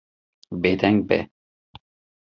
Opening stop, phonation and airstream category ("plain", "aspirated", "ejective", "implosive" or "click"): plain